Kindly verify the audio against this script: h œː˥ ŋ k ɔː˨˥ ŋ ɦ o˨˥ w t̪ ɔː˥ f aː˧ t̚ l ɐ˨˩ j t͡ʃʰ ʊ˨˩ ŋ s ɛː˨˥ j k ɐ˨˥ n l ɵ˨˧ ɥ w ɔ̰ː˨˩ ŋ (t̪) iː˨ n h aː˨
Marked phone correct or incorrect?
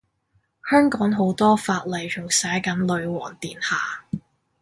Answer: correct